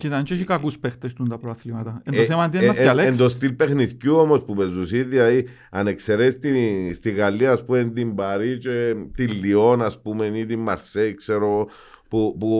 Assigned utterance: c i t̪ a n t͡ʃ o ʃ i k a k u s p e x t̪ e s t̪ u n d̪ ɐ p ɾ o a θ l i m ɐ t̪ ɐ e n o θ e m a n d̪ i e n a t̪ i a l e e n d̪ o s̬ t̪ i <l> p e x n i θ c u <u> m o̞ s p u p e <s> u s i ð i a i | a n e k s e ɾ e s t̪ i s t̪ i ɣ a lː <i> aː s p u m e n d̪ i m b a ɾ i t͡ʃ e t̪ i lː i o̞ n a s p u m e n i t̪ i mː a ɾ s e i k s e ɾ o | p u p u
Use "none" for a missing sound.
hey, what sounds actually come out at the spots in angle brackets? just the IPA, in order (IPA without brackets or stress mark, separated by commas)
l, o, z, i